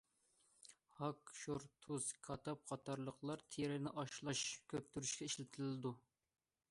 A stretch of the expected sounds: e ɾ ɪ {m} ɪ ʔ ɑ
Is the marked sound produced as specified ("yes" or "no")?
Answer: no